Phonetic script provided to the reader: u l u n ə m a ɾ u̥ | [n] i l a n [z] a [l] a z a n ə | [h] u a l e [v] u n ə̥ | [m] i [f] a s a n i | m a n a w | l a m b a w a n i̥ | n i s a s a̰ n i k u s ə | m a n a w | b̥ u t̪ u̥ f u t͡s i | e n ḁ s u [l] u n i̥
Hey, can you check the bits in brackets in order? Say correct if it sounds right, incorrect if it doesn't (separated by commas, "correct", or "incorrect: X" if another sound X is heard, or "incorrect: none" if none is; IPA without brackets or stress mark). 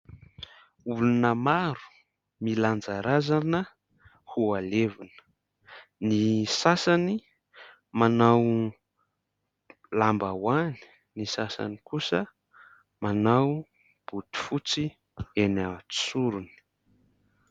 incorrect: m, incorrect: d͡z, incorrect: ɾ, correct, correct, incorrect: n, incorrect: s, incorrect: ɾ